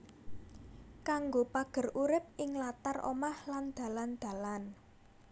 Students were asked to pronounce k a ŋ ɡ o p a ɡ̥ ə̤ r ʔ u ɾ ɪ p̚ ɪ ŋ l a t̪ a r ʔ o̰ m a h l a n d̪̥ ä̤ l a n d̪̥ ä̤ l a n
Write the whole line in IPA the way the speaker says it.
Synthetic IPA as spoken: k a ŋ ɡ o p a ɡ̥ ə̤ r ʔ u ɾ ɪ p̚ ɪ ŋ l a t̪ a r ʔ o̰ m a h l a n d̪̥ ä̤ l a n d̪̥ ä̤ l a n